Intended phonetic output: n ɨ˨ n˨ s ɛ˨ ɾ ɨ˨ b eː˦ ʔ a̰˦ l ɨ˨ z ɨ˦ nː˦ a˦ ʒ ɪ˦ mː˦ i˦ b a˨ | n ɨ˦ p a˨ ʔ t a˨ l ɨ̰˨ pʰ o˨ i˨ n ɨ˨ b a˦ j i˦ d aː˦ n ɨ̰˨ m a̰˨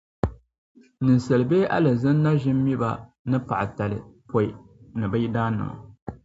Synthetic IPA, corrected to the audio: n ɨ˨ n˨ s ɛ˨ l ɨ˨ b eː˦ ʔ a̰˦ l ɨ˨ z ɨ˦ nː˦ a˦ ʒ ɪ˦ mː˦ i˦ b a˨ | n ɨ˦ p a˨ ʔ t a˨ l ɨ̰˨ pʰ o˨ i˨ n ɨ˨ b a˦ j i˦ d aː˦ n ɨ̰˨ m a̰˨